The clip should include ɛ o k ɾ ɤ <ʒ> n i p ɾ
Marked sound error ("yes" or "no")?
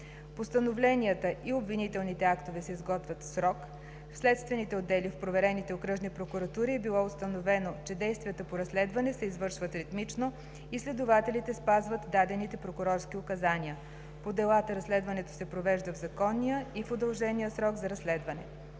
no